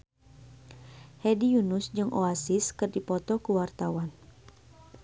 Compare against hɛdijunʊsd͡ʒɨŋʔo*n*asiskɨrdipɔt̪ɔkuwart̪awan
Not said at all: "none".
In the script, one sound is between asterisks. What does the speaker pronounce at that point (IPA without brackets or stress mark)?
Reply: none